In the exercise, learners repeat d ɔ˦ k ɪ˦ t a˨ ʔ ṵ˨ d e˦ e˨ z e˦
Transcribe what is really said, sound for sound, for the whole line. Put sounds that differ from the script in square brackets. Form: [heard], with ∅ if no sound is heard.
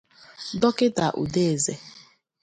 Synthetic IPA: d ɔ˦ k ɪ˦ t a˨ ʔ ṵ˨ d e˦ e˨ z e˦